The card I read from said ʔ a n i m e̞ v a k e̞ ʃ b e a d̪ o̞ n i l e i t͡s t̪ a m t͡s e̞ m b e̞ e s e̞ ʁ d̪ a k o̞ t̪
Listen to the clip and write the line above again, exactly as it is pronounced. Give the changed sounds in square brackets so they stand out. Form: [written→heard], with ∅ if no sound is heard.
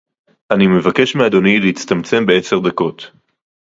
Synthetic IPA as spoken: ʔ a n i m e̞ v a k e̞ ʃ [b→m] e a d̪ o̞ n i l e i t͡s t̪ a m t͡s e̞ m b e̞ e s e̞ ʁ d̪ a k o̞ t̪

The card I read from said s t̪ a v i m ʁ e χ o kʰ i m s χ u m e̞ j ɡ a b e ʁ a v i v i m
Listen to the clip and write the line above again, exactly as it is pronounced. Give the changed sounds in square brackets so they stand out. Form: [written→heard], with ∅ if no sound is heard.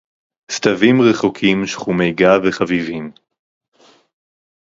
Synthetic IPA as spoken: s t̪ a v i m ʁ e χ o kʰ i m [s→ʃ] χ u m e̞ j ɡ a [b→v] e [ʁ→χ] a v i v i m

